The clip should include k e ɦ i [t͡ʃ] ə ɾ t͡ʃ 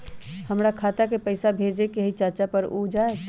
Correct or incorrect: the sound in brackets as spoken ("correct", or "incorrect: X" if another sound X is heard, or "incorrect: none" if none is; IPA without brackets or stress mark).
correct